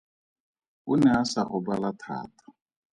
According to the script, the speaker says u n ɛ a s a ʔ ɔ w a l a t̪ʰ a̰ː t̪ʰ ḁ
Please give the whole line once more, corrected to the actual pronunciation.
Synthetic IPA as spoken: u n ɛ a s a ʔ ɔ b a l a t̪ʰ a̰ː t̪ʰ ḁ